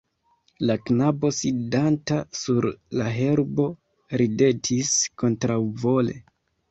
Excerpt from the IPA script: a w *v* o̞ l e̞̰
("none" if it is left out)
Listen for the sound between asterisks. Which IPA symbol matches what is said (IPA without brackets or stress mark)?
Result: v